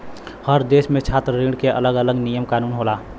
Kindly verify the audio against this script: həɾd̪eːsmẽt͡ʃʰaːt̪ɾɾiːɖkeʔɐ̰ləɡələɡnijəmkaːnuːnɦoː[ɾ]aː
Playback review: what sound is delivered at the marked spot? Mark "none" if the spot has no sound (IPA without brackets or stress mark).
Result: l